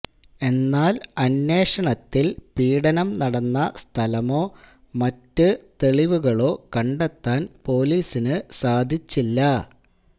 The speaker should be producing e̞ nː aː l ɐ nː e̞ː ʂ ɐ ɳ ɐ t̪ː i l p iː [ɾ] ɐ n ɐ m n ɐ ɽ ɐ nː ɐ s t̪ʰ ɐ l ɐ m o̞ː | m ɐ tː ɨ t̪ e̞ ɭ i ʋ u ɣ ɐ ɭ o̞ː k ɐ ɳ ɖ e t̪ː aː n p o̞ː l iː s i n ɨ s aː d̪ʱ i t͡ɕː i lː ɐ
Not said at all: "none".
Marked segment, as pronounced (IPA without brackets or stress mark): ɽ